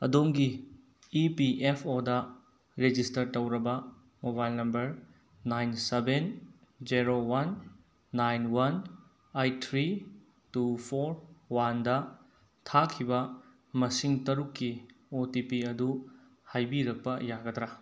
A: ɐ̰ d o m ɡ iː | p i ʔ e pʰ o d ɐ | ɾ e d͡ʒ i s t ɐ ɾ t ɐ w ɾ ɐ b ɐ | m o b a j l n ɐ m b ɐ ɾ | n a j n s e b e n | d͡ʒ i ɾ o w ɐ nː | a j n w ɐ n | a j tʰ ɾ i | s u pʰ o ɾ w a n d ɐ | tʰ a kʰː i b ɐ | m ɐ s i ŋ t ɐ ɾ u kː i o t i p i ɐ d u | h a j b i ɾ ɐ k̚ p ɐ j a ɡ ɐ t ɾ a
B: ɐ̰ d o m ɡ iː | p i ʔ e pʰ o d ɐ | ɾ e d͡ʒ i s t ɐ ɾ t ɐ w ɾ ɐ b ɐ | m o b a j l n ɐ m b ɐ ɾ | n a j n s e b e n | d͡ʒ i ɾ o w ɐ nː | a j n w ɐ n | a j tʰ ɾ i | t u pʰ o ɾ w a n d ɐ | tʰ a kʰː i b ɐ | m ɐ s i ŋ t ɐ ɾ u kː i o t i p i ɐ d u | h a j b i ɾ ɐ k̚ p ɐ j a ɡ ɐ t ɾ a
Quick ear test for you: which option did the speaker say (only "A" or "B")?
B